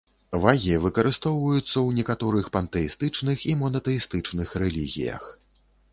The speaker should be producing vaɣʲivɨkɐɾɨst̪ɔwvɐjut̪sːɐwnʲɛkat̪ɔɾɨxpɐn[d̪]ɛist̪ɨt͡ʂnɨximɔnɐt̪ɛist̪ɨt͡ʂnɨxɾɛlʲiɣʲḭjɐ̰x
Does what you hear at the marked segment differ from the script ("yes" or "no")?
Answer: yes